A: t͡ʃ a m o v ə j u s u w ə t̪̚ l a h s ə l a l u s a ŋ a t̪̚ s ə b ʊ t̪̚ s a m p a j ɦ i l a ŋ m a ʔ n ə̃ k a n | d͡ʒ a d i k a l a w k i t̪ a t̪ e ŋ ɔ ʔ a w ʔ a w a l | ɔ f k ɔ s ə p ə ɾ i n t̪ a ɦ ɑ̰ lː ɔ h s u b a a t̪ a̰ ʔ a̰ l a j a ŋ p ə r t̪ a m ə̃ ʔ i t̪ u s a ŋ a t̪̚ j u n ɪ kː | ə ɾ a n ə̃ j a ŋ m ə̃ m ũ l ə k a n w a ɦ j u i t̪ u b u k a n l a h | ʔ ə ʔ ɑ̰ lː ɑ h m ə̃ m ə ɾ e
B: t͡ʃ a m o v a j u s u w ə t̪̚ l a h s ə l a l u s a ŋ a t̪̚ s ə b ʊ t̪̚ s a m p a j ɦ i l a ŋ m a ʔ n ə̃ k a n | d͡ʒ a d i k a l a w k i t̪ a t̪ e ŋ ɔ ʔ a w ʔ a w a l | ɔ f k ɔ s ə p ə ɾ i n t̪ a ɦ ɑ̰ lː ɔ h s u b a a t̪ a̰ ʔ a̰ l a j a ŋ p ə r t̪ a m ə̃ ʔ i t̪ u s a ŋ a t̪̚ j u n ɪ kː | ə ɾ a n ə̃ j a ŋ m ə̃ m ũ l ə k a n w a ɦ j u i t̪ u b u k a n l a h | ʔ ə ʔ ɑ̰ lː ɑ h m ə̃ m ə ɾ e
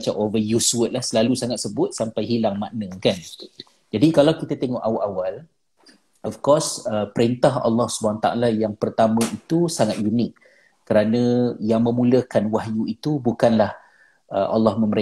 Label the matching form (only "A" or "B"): A